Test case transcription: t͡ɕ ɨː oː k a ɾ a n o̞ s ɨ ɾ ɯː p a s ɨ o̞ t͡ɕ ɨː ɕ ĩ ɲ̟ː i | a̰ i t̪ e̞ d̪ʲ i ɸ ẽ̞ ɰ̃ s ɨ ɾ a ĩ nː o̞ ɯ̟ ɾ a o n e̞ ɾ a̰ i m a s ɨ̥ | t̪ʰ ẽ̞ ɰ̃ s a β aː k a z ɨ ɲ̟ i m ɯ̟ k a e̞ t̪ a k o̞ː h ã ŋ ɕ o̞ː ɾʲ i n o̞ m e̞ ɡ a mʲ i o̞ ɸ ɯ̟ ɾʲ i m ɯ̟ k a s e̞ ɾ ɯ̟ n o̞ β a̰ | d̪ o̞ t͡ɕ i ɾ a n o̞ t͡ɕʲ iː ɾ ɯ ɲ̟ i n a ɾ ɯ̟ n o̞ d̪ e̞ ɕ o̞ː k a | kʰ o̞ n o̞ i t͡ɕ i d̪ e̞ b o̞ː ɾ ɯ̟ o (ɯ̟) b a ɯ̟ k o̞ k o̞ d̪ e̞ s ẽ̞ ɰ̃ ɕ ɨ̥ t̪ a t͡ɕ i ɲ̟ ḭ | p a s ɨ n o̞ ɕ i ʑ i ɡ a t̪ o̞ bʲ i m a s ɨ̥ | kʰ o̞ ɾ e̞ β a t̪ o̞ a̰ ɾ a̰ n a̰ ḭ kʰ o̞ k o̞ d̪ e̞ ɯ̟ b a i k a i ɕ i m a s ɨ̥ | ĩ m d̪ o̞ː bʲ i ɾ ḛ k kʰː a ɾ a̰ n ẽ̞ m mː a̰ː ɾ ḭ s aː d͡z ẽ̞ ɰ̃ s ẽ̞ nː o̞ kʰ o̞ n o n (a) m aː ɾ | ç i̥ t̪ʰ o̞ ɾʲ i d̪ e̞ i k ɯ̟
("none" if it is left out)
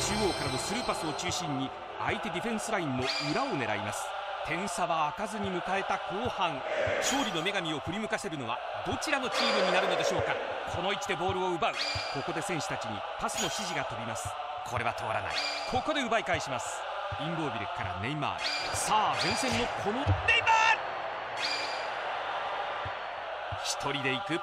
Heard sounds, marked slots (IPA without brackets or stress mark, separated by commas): ɯ̟, e